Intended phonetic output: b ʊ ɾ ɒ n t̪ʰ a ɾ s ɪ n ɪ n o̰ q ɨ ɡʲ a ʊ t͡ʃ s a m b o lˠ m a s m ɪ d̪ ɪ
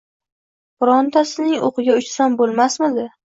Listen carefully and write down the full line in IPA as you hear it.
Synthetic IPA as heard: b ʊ ɾ ɒ n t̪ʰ a s ɪ n ɪ ŋ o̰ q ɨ ɡʲ a ʊ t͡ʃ s a m b o lˠ m a s m ɪ d̪ ɪ